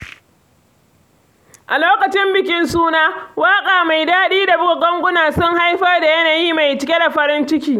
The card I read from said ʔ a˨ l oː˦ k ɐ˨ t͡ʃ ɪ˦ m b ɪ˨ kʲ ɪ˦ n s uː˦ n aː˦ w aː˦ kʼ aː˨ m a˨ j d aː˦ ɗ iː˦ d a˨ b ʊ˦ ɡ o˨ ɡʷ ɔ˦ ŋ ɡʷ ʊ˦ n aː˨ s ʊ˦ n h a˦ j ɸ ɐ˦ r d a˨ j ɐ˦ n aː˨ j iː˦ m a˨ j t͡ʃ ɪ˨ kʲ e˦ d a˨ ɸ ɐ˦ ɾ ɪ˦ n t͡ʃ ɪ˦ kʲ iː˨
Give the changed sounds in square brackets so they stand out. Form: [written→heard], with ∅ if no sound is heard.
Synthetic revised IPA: ʔ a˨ l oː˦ k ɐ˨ t͡ʃ ɪ˦ m b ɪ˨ kʲ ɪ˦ n s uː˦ n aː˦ w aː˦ kʼ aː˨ m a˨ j d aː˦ ɗ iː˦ d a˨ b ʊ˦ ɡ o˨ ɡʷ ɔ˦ ŋ ɡʷ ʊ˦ n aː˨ s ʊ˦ [n→ŋ] h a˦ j ɸ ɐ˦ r d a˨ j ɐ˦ n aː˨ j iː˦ m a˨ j t͡ʃ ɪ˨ kʲ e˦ d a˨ ɸ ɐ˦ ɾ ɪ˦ n t͡ʃ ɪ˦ kʲ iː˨